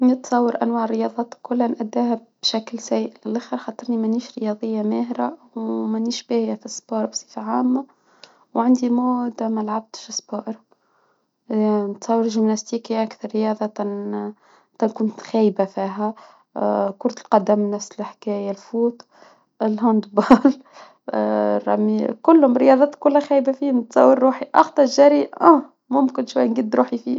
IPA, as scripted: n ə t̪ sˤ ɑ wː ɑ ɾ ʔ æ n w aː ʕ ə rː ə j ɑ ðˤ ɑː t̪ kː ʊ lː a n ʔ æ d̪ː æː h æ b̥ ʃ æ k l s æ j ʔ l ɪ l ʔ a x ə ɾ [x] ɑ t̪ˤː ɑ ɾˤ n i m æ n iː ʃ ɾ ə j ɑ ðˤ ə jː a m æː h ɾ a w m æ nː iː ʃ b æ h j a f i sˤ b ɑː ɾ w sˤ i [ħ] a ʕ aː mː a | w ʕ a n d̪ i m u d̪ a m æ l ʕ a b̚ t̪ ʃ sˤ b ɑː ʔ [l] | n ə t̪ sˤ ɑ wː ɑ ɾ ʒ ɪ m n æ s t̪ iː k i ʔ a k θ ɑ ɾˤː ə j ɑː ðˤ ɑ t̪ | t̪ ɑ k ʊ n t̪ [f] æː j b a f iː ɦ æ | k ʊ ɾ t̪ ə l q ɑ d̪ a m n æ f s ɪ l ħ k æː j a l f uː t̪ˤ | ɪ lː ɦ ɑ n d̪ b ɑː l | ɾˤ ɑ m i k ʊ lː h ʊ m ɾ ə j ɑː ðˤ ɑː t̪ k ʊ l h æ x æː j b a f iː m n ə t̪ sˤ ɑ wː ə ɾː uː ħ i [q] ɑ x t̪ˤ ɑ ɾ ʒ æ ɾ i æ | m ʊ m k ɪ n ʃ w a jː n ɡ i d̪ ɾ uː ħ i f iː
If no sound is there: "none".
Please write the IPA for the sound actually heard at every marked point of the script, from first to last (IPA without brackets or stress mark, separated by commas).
x, f, ɾ, x, ʔ